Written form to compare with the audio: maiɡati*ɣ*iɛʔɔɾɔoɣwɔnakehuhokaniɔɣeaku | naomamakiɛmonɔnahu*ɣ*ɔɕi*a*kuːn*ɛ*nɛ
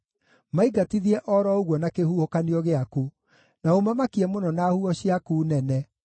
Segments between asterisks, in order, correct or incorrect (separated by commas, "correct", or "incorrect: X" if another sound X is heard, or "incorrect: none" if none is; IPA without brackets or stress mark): incorrect: ð, incorrect: none, correct, correct